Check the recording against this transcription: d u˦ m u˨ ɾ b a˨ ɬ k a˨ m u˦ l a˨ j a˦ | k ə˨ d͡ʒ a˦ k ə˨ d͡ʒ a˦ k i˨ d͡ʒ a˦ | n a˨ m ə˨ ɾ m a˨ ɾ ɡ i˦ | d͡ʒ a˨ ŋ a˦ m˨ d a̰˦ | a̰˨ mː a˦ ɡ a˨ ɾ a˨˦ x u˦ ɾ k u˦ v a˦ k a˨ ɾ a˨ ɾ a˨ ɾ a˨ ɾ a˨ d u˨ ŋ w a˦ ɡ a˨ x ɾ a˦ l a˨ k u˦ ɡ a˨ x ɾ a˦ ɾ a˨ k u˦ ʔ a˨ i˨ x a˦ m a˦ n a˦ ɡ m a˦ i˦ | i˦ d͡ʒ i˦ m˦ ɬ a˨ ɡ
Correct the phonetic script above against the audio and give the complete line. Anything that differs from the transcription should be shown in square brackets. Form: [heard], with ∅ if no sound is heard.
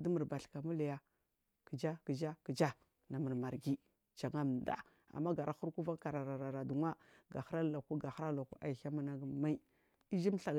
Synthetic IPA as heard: d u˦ m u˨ ɾ b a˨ ɬ k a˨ m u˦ l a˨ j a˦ | k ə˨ d͡ʒ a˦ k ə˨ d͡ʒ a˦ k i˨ d͡ʒ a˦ | n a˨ m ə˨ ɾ m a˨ ɾ ɡ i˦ | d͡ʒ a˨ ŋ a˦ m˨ d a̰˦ | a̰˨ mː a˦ ɡ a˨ ɾ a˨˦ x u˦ ɾ k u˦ v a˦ k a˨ ɾ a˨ ɾ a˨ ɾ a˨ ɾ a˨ d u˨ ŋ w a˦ ɡ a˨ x ɾ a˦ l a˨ k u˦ ɡ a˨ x ɾ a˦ [l] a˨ k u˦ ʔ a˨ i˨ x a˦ m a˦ n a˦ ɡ m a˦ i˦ | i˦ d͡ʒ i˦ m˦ ɬ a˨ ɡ